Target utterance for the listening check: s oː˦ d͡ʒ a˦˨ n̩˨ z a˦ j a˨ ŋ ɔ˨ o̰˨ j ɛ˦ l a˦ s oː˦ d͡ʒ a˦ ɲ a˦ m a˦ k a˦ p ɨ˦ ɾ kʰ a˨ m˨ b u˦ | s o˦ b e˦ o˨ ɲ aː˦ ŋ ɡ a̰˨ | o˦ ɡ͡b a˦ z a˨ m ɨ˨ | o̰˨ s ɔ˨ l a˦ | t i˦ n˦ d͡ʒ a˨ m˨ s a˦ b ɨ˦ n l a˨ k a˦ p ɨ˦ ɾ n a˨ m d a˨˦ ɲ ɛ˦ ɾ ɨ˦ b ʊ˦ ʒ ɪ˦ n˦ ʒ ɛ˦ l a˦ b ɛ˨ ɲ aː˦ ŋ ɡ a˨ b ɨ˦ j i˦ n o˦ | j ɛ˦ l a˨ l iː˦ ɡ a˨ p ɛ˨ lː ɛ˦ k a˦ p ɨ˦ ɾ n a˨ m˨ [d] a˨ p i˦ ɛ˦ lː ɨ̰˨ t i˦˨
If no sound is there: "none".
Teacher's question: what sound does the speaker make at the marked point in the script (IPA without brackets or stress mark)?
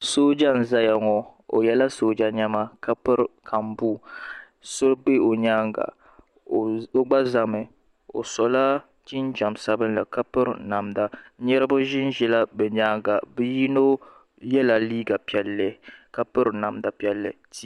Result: d